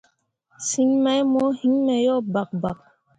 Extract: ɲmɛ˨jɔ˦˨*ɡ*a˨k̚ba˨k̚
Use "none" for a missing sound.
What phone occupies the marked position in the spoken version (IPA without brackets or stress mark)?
b